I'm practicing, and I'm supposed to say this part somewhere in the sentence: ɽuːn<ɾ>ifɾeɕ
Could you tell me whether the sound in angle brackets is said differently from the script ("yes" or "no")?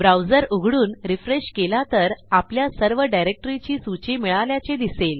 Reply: no